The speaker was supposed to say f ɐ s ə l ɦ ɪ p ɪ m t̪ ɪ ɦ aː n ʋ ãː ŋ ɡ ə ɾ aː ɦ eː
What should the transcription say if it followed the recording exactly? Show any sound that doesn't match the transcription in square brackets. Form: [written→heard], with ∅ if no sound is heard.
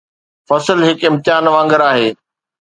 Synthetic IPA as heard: f ɐ s ə l ɦ ɪ [p→k] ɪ m t̪ ɪ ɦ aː n ʋ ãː ŋ ɡ ə ɾ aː ɦ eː